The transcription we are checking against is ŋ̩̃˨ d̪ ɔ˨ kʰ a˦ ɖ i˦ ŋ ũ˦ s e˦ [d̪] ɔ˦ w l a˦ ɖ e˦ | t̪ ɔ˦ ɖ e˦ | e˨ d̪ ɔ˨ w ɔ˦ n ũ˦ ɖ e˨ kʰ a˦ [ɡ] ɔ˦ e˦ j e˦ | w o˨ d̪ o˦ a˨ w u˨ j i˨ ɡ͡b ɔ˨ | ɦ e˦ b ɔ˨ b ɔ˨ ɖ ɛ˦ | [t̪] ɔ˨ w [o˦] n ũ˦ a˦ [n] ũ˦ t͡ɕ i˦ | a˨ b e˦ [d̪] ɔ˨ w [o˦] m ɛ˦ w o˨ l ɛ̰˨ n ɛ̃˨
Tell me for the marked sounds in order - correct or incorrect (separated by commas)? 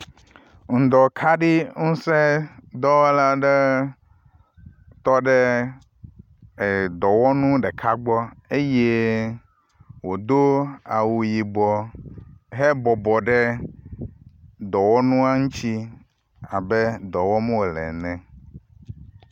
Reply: correct, incorrect, incorrect, incorrect, incorrect, correct, incorrect